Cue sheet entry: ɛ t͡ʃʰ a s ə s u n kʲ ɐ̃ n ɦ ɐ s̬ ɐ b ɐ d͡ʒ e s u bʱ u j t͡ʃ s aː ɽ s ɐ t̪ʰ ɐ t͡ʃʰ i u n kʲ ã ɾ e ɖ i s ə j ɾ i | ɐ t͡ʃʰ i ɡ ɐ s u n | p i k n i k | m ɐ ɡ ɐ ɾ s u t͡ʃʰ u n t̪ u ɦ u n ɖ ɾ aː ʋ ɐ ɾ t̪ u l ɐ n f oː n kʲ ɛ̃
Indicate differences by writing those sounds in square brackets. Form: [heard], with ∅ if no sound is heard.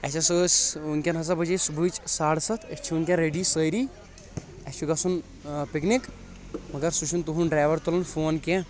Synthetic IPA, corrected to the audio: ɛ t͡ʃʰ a s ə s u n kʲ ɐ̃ n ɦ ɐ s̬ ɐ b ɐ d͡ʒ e s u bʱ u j t͡ʃ s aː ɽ s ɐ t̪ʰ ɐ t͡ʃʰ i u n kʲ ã ɾ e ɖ i s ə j ɾ i | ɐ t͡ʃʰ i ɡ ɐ s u n | p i k n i k | m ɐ ɡ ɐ ɾ s u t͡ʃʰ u n t̪ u ɦ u n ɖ ɾ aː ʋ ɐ ɾ t̪ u l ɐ n f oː n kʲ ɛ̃